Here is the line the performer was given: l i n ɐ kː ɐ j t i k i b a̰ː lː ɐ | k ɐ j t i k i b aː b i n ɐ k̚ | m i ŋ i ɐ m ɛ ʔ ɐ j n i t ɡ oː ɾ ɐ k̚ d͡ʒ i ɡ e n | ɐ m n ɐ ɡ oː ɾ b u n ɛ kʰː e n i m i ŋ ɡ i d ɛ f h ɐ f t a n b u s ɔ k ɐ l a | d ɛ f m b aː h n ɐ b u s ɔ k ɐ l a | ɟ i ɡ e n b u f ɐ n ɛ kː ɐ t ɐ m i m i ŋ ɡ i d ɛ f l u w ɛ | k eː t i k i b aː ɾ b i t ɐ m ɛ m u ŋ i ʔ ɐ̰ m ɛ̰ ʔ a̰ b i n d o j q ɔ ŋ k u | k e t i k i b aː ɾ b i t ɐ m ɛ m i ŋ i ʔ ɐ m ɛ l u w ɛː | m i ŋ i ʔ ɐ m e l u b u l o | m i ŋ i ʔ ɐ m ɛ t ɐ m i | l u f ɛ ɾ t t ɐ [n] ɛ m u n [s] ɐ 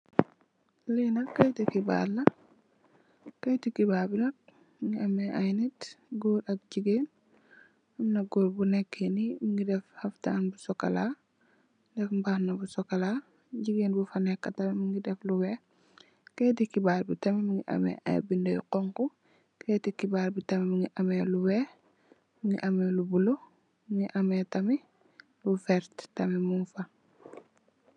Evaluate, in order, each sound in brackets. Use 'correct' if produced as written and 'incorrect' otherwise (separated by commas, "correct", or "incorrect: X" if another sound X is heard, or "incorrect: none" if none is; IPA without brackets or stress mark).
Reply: incorrect: m, incorrect: f